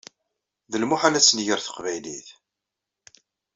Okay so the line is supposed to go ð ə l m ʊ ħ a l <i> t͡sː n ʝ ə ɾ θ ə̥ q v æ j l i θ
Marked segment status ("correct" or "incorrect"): incorrect